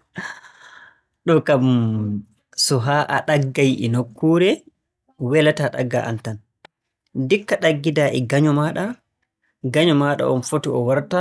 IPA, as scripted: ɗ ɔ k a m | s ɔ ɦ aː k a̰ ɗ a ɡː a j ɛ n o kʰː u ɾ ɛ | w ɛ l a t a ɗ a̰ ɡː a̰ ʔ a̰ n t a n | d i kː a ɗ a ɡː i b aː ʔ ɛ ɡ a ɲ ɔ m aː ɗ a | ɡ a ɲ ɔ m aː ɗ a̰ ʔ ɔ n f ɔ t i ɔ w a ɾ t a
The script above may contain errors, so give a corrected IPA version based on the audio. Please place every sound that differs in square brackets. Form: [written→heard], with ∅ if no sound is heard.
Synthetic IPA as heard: ɗ ɔ k a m | s ɔ ɦ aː [k→ʔ] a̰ ɗ a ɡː a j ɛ n o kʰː u ɾ ɛ | w ɛ l a t a ɗ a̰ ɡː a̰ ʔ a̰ n t a n | d i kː a ɗ a ɡː i [b→d] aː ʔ ɛ ɡ a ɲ ɔ m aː ɗ a | ɡ a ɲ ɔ m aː ɗ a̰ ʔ ɔ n f [ɔ→o] t i ɔ w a ɾ t a

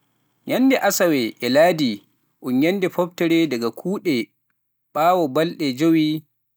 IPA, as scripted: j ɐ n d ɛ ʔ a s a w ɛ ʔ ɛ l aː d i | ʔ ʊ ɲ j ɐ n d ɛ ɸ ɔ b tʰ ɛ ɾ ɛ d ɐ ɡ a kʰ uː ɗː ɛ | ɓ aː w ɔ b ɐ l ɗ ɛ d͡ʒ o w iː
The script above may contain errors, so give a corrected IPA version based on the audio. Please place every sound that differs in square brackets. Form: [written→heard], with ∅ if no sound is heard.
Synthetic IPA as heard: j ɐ n d ɛ ʔ a s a w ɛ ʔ ɛ l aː d i | ʔ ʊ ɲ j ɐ n d ɛ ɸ ɔ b [tʰ→t] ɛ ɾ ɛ d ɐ ɡ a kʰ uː [ɗː→ɗ] ɛ | ɓ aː w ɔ b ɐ l ɗ ɛ d͡ʒ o w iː

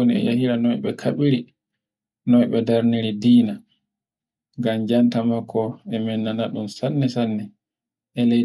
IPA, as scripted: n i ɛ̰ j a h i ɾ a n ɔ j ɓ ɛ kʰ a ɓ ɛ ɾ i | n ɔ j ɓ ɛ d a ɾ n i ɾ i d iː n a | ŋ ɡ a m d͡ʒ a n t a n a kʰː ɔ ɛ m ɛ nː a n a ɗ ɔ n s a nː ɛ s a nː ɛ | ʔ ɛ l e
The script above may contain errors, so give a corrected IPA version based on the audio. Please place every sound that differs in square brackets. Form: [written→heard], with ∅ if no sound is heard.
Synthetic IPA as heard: n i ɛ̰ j a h i ɾ a n ɔ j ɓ ɛ kʰ a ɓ [ɛ→i] ɾ i | n ɔ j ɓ ɛ d a ɾ n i ɾ i d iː n a | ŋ ɡ a m d͡ʒ a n t a [n→m] a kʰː ɔ ɛ m ɛ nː a n a ɗ [ɔ→u] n s a nː ɛ s a nː ɛ | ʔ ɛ l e

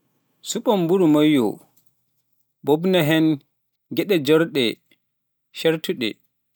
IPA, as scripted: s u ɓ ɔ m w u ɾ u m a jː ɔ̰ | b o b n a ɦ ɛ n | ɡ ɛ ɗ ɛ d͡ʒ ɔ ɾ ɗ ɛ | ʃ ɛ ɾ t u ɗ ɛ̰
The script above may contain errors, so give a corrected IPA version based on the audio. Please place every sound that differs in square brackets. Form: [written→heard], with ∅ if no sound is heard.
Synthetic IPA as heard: s u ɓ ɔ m [w→b] u ɾ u m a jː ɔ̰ | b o b n a ɦ ɛ n | ɡ ɛ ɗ ɛ d͡ʒ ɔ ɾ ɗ ɛ | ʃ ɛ ɾ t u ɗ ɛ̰

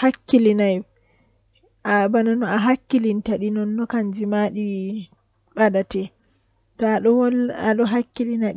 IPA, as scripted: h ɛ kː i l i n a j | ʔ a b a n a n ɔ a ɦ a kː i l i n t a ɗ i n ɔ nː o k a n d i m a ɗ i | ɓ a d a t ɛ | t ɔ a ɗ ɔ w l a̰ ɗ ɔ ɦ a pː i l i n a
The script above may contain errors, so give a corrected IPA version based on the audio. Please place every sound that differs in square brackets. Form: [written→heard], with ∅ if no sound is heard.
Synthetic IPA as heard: h [ɛ→a] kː i l i n a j | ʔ a b a n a n ɔ a ɦ a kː i l i n t a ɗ i n ɔ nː [o→ɔ] k a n [d→d͡ʒ] i m a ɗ i | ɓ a d a t ɛ | t ɔ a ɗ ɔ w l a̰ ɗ ɔ ɦ a [pː→kː] i l i n a

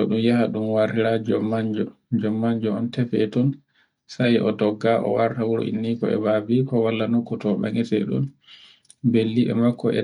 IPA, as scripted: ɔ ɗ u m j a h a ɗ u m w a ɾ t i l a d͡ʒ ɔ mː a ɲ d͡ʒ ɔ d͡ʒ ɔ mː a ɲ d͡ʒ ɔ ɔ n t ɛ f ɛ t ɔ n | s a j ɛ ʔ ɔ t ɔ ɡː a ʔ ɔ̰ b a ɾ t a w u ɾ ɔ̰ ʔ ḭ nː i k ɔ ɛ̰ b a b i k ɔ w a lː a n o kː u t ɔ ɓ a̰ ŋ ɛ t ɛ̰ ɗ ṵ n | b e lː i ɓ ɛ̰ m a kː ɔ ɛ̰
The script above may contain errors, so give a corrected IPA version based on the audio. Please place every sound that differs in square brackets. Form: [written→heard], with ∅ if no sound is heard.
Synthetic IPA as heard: ɔ ɗ u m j a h a ɗ u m w a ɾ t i [l→ɾ] a d͡ʒ ɔ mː a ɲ d͡ʒ ɔ d͡ʒ ɔ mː a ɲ d͡ʒ ɔ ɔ n t ɛ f ɛ t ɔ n | s a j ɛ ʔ ɔ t ɔ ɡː a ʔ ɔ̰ [b→w] a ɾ t a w u ɾ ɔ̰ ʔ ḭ nː i k ɔ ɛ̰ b a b i k ɔ w a lː a n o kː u t ɔ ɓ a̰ ŋ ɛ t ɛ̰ ɗ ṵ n | b e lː i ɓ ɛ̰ m a kː ɔ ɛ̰

